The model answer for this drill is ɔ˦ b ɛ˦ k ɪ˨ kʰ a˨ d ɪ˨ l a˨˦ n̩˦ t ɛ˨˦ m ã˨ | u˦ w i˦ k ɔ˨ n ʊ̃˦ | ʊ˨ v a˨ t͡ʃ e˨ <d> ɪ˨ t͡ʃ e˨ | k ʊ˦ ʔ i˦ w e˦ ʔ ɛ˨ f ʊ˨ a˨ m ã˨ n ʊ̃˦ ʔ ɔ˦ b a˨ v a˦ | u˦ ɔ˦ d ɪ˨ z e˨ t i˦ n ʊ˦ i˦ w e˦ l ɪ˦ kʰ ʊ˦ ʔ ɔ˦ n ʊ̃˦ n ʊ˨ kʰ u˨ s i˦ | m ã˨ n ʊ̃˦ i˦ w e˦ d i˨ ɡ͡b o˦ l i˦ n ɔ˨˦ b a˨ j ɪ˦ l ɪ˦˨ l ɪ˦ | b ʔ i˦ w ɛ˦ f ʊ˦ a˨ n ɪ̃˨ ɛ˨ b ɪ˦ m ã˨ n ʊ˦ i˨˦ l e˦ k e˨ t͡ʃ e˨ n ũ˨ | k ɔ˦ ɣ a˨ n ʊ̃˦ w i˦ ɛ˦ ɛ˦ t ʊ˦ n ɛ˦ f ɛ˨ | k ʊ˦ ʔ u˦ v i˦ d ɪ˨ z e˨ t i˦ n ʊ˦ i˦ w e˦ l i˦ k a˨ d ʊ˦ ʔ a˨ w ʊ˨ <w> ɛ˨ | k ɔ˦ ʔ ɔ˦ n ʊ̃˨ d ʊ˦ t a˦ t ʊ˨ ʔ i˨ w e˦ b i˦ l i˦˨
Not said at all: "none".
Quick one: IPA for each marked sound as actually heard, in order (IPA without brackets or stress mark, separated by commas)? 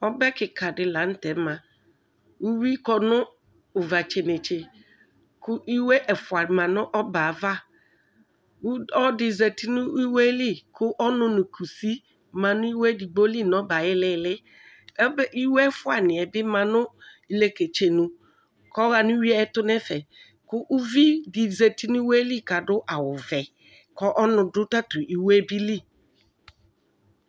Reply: n, v